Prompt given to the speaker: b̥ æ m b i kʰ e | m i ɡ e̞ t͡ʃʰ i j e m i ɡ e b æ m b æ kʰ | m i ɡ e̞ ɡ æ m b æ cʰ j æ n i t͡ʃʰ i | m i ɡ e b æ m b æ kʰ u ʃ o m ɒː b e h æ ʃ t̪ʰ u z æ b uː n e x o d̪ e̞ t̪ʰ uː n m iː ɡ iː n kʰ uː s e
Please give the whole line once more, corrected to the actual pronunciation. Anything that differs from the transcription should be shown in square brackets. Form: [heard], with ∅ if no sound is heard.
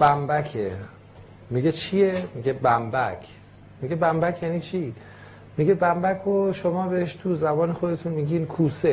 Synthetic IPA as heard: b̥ æ m b [æ] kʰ e | m i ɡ e̞ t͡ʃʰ i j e m i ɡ e b æ m b æ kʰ | m i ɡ e̞ [b] æ m b æ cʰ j æ n i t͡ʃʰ i | m i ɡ e b æ m b æ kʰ [o] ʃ o m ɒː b e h [e] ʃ t̪ʰ u z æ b [ɒː] n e x o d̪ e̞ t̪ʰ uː n m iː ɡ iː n kʰ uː s e